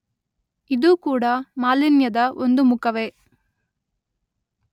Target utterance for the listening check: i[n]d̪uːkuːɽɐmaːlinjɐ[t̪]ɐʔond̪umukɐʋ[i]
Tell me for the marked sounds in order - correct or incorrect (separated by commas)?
incorrect, incorrect, incorrect